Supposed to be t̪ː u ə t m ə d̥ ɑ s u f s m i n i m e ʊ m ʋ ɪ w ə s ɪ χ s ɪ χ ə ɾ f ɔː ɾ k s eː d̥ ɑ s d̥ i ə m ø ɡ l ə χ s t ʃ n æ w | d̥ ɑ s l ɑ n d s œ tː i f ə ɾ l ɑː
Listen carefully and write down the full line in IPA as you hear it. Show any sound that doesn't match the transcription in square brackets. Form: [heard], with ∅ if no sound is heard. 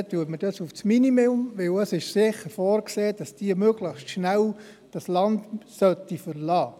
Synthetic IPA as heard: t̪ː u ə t m ə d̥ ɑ s u f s m i n i m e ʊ m ʋ ɪ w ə s ɪ [ʃ] s ɪ χ ə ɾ f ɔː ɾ k s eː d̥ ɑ s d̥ i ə m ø ɡ l ə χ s t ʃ n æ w | d̥ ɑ s l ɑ n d s œ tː i f ə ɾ l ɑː